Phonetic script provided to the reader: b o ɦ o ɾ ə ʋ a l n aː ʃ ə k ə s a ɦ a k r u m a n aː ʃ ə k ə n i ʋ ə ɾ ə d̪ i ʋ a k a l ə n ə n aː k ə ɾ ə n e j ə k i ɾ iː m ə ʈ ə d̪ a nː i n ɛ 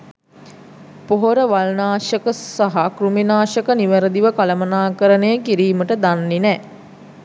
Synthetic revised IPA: p o ɦ o ɾ ə ʋ a l n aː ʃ ə k ə s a ɦ a k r u m i n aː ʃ ə k ə n i ʋ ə ɾ ə d̪ i ʋ ə k a l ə m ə n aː k ə ɾ ə n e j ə k i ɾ iː m ə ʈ ə d̪ a nː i n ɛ

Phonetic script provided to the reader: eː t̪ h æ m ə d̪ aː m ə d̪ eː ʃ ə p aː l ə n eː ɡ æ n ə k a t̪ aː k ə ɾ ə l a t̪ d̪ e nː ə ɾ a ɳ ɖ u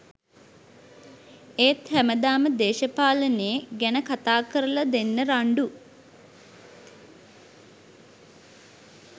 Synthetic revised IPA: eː t̪ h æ m ə d̪ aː m ə d̪ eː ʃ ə p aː l ə n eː ɡ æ n ə k a t̪ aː k ə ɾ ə l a d̪ e nː ə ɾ a ɳ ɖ u

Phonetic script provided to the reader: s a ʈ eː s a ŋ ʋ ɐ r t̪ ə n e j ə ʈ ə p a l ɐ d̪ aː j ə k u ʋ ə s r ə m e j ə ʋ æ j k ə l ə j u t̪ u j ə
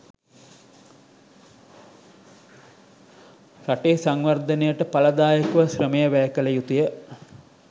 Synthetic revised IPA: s a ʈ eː s a ŋ ʋ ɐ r d̪ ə n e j ə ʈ ə p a l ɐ d̪ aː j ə k u ʋ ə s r ə m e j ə ʋ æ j k ə l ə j u t̪ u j ə

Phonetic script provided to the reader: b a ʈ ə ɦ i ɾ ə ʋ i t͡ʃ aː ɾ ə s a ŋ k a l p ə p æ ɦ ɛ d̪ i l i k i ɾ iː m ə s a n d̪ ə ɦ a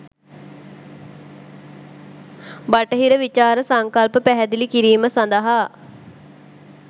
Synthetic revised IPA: b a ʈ ə ɦ i ɾ ə ʋ i t͡ʃ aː ɾ ə s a ŋ k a l p ə p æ ɦ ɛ d̪ i l i k i ɾ iː m ə s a n d̪ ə ɦ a

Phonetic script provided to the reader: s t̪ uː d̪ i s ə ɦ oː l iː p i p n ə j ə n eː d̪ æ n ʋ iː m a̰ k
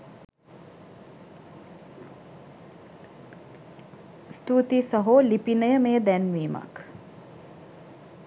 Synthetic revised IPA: s t̪ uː t̪ i s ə ɦ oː l i p i n ə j ə m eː d̪ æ n ʋ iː m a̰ k

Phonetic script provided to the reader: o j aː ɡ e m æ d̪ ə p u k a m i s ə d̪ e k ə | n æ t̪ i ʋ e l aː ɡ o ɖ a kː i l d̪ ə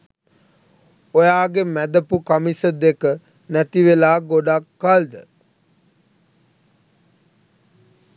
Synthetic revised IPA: o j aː ɡ e m æ d̪ ə p u k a m i s ə d̪ e k ə | n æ t̪ i ʋ e l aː ɡ o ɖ a kː a l d̪ ə

